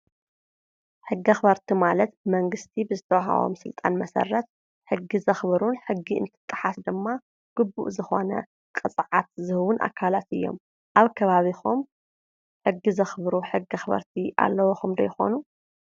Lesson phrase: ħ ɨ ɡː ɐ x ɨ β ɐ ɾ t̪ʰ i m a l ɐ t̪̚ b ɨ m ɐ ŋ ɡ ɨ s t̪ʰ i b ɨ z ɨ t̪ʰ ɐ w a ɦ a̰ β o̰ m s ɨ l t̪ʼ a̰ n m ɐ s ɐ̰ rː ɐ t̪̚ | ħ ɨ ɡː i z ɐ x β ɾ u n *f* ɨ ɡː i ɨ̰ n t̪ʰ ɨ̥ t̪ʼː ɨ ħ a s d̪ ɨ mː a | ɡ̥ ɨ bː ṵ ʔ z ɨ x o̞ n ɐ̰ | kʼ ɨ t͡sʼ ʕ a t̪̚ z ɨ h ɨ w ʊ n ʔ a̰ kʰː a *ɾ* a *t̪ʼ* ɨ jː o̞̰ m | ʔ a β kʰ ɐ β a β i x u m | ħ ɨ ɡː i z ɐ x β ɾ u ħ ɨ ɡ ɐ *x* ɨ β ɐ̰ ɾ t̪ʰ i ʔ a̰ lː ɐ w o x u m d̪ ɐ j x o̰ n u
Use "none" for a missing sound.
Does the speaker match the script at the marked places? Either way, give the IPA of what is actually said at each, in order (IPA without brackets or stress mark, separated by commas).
ħ, l, t̪, x